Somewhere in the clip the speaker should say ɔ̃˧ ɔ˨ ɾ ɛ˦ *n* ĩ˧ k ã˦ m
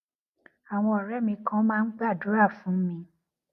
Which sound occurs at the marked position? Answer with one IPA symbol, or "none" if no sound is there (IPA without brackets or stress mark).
m